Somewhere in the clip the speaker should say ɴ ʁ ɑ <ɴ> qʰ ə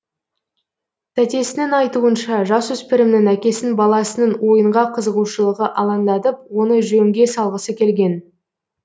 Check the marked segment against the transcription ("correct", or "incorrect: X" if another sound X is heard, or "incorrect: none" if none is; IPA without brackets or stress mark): incorrect: none